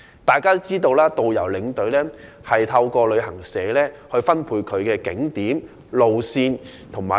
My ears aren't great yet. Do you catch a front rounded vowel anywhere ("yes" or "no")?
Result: no